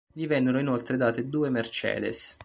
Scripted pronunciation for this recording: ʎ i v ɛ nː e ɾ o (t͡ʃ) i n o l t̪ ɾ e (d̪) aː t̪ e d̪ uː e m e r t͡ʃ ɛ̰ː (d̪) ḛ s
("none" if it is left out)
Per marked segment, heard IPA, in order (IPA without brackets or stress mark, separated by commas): none, d̪, d̪